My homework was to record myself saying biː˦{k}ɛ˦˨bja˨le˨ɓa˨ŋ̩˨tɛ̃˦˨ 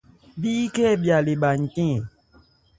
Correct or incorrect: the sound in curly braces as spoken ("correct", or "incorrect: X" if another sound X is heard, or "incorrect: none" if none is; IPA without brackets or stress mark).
correct